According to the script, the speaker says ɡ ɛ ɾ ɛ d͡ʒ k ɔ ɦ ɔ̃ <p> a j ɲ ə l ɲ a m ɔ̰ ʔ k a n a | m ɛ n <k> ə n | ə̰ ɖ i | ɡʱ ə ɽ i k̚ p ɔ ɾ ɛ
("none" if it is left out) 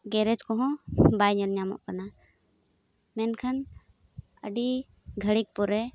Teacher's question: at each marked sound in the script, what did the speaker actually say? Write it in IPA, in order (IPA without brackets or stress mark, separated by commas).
b, kʰ